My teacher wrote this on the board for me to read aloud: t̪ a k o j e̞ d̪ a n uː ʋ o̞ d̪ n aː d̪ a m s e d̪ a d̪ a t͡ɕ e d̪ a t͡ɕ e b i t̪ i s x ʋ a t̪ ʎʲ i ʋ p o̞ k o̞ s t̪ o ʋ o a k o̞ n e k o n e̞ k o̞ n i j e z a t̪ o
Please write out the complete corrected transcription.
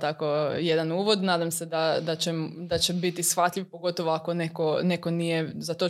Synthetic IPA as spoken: t̪ a k o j e̞ d̪ a n uː ʋ o̞ d̪ n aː d̪ a m s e d̪ a d̪ a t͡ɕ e d̪ a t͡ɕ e b i t̪ i s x ʋ a t̪ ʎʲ i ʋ p o̞ ɡ o̞ t̪ o ʋ o a k o̞ n e k o n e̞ k o̞ n i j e z a t̪ o